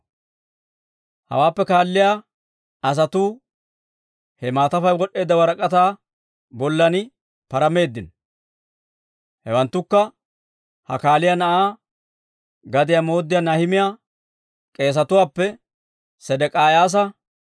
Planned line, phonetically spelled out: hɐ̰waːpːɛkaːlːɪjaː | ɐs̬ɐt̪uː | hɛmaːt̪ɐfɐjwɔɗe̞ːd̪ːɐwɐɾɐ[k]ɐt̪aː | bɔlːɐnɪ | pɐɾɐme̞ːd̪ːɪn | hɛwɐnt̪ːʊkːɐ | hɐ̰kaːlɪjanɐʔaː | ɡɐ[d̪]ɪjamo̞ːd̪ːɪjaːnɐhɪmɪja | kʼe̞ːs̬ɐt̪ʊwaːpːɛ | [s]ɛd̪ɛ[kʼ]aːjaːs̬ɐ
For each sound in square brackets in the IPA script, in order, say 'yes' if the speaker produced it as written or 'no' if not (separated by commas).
no, yes, yes, yes